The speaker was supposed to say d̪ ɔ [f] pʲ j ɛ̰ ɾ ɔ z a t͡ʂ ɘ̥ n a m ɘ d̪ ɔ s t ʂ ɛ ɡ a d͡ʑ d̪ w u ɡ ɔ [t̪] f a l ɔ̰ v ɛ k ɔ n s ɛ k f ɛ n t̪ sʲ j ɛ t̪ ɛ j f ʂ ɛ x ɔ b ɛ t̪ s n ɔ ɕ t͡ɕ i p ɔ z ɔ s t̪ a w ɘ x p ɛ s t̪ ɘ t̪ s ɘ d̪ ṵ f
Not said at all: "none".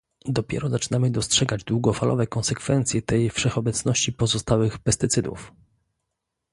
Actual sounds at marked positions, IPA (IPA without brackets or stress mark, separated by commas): none, none